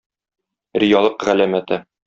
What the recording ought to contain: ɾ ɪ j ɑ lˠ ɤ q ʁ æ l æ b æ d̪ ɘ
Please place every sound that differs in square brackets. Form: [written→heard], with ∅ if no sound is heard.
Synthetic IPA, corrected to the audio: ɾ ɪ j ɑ lˠ ɤ q ʁ æ l æ [b→m] æ [d̪→t̪] ɘ